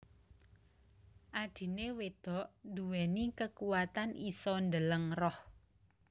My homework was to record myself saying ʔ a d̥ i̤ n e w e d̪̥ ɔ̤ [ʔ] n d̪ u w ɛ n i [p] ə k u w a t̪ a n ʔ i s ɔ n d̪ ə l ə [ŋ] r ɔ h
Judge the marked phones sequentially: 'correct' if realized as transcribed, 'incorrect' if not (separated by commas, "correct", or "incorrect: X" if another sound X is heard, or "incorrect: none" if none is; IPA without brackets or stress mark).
correct, incorrect: k, correct